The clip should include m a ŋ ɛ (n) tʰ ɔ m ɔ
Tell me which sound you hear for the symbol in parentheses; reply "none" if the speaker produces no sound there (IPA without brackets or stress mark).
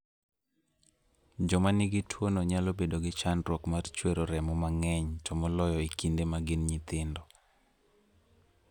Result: ɲ